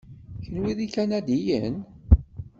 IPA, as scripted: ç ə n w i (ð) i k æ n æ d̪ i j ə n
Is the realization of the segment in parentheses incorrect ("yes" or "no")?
no